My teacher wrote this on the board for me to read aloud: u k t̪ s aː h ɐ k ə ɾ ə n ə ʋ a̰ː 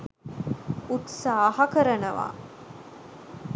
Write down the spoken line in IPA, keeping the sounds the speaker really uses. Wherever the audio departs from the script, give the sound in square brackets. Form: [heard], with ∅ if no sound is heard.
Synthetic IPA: u [∅] t̪ s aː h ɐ k ə ɾ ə n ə ʋ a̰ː